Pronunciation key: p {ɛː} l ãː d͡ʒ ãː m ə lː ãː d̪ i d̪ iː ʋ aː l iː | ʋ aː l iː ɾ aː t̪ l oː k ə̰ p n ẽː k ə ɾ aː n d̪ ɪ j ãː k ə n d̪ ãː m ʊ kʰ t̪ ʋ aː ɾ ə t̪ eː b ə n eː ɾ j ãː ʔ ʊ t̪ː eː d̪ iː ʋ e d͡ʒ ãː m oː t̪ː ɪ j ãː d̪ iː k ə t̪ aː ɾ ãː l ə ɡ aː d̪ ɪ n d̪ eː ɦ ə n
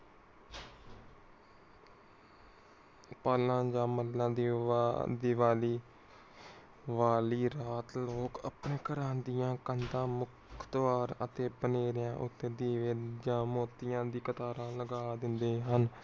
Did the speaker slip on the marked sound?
yes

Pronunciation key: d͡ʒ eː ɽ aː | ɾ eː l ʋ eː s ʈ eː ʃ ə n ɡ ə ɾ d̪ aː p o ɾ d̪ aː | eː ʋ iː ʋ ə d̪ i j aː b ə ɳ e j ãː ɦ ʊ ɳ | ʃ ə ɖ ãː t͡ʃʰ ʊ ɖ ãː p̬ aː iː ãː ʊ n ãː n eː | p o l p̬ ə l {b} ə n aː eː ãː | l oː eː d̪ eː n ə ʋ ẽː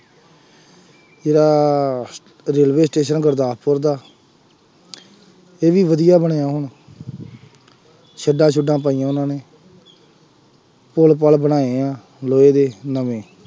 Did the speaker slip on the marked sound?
no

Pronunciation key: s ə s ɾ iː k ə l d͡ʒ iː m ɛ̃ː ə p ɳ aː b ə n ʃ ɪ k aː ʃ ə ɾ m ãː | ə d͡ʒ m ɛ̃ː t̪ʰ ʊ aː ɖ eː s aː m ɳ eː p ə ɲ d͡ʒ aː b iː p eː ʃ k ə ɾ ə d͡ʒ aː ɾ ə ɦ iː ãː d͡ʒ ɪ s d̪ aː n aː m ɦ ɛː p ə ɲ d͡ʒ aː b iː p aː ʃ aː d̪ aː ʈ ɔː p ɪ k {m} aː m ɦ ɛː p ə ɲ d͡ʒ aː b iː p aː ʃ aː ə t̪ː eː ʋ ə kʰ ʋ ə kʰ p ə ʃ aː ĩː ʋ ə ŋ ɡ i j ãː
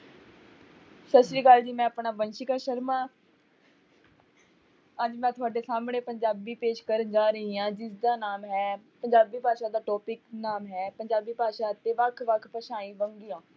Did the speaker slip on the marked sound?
yes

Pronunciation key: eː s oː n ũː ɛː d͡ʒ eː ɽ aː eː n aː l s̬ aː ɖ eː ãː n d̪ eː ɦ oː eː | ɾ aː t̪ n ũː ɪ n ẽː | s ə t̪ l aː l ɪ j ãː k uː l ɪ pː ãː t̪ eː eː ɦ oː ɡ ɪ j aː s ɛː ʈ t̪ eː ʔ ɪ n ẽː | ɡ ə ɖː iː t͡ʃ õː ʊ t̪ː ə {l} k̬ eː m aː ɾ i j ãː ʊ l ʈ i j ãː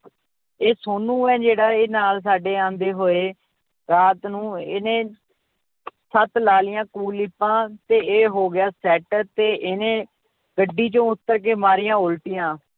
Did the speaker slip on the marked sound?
yes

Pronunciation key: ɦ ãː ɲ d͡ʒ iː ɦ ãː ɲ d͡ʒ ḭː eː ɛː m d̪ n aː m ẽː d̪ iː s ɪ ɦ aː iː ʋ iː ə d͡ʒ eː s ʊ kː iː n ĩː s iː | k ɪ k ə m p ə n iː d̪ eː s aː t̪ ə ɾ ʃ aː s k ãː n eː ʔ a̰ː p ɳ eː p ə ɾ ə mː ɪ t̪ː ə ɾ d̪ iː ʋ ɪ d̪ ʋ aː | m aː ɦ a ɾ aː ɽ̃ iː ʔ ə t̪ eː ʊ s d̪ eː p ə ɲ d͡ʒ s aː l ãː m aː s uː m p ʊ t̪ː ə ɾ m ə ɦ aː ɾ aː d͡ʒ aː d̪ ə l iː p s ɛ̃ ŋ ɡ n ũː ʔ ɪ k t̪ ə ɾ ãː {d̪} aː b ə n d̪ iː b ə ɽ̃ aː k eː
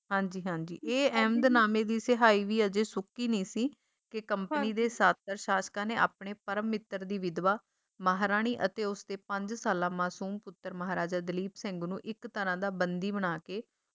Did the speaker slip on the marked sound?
no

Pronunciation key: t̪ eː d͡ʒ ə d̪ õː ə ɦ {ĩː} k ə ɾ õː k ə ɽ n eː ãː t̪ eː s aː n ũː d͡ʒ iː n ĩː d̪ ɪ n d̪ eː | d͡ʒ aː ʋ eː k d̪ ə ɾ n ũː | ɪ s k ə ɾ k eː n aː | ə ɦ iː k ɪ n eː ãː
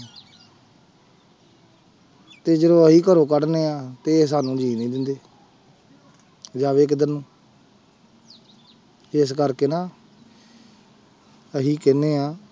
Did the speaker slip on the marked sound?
yes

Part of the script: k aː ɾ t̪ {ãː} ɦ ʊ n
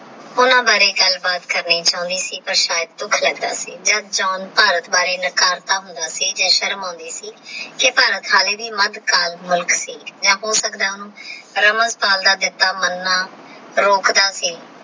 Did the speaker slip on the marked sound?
yes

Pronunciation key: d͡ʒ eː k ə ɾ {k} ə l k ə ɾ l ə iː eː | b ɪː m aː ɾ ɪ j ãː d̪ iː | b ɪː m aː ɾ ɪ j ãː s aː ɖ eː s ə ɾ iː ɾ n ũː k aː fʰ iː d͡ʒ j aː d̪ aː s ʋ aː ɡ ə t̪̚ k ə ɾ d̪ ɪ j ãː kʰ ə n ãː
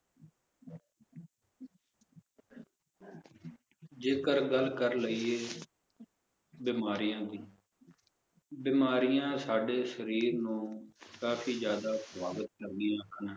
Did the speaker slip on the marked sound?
yes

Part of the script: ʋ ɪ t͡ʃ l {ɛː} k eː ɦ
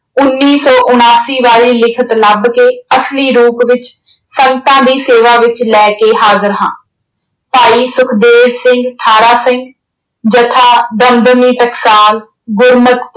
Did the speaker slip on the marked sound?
no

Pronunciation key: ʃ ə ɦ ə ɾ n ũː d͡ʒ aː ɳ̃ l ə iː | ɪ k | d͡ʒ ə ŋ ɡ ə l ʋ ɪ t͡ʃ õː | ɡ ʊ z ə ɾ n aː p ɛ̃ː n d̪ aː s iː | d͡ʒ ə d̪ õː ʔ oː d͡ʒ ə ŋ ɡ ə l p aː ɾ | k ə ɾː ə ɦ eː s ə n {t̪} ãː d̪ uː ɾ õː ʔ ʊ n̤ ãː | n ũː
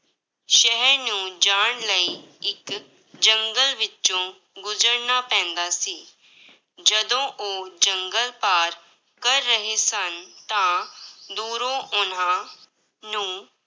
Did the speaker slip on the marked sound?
no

